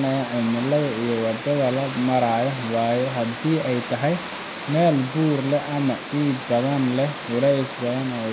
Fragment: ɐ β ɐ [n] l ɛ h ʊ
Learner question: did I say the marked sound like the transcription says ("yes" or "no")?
yes